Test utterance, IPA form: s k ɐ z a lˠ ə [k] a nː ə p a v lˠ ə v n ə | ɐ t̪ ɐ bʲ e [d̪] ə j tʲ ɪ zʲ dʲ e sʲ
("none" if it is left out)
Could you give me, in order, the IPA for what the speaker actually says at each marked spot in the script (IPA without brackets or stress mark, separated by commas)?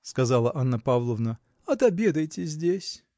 ʔ, d̪